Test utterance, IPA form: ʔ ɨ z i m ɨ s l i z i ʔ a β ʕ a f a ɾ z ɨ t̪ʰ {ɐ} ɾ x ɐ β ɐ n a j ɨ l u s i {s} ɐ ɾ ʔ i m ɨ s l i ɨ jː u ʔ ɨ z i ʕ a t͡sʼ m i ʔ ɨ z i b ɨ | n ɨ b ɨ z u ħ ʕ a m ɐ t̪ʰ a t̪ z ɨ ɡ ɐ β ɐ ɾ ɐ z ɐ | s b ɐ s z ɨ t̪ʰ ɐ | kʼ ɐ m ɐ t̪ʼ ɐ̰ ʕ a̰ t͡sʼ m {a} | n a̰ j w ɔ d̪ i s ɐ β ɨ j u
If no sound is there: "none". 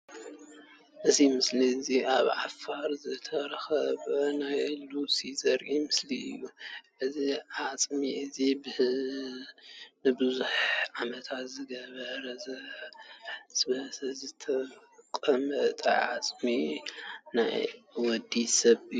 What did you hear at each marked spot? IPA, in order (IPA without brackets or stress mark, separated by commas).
ɐ, z, i